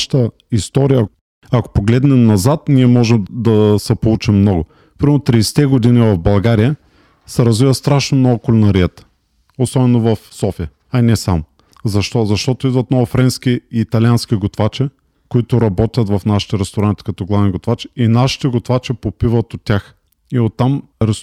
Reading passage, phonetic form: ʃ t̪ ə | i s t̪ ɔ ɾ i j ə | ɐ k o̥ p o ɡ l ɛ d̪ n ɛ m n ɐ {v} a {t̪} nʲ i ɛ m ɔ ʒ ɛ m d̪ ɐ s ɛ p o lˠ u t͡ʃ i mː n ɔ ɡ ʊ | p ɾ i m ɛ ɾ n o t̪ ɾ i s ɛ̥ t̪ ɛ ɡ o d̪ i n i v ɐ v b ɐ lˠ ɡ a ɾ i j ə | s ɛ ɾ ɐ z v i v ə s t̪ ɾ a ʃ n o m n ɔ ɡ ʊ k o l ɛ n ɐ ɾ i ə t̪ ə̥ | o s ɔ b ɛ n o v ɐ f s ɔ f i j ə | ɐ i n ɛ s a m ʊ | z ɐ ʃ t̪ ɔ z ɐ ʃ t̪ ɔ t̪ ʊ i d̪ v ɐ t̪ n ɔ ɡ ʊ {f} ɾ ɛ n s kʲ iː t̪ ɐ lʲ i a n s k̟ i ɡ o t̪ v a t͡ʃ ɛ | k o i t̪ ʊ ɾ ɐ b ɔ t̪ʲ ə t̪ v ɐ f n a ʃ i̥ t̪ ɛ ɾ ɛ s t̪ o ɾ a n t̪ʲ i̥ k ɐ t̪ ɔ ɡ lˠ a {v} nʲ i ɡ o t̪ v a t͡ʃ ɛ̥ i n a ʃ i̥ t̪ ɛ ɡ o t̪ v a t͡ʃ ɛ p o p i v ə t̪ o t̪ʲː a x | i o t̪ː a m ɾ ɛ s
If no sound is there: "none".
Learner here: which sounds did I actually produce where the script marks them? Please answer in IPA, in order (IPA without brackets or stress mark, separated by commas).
z, t̪, f, v